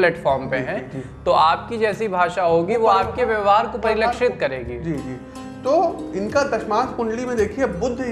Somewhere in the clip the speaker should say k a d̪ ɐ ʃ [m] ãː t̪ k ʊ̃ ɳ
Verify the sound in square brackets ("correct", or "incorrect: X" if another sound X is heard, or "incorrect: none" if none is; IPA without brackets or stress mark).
correct